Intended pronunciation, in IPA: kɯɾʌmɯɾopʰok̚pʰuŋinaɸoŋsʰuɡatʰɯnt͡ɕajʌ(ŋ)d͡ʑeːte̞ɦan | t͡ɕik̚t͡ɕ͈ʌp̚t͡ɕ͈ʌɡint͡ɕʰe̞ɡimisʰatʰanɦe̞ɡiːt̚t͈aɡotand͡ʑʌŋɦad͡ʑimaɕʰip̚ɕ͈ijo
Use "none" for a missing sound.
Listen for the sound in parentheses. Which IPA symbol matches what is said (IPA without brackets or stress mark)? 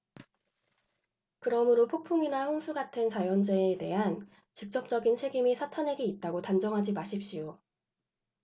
n